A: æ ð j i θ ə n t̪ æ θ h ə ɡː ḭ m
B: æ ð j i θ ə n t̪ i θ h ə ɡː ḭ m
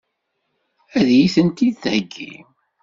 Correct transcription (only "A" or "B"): B